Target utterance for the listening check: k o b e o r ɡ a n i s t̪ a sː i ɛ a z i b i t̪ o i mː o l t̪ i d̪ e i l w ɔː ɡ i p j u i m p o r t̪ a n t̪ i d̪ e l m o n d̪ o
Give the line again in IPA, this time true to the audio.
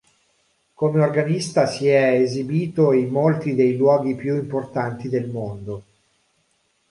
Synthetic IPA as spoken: k o m e o r ɡ a n i s t̪ a s i ɛ e z i b iː t̪ o i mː o l t̪ i d̪ e j l w ɔː ɡ i p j u i m p o r t̪ a n t̪ i d̪ e l m o n d̪ o